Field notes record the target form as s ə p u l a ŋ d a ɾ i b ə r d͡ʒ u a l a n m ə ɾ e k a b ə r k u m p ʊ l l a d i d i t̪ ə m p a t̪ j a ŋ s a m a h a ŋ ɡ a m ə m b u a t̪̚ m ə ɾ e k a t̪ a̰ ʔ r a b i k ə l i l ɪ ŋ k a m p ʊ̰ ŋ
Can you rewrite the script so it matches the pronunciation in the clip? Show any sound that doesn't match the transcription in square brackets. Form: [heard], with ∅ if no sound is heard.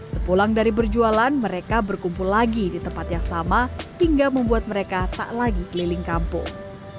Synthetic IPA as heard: s ə p u l a ŋ d a ɾ i b ə r d͡ʒ u a l a n m ə ɾ e k a b ə r k u m p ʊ l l a [ɡ] i d i t̪ ə m p a t̪ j a ŋ s a m a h [i] ŋ ɡ a m ə m b u a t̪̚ m ə ɾ e k a t̪ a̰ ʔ [l] a [ɡ] i k ə l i l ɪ ŋ k a m p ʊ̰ ŋ